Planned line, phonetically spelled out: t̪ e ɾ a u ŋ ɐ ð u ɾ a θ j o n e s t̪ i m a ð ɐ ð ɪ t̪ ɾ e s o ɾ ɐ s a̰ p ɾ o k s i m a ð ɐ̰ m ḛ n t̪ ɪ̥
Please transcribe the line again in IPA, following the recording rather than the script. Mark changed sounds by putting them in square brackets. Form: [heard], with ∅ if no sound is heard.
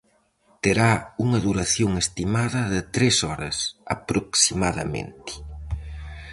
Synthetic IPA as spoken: t̪ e ɾ a u ŋ ɐ ð u ɾ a θ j o [ŋ] e s t̪ i m a ð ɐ ð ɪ t̪ ɾ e s [ɔ] ɾ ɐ s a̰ p ɾ o k s i m a ð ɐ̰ m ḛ n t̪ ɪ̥